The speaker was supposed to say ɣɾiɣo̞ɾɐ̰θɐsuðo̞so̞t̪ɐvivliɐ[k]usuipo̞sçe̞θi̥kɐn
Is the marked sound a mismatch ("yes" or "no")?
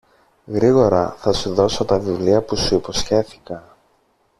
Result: yes